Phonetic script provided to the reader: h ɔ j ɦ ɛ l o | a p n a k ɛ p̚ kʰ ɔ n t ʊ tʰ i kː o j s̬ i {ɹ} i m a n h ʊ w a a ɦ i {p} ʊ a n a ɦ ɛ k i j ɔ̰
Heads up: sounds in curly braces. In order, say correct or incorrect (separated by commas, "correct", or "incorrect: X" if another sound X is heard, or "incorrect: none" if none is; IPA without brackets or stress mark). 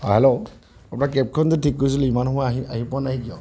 incorrect: l, correct